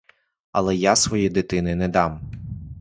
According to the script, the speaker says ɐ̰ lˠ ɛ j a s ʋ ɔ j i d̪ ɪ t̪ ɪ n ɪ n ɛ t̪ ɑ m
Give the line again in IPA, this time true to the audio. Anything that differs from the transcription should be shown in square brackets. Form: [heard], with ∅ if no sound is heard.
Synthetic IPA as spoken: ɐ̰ lˠ ɛ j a s ʋ ɔ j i d̪ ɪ t̪ ɪ n ɪ n ɛ [d̪] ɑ m